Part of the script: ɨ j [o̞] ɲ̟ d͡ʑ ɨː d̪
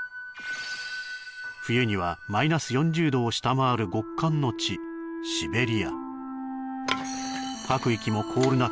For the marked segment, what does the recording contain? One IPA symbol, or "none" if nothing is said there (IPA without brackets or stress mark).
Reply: õ̞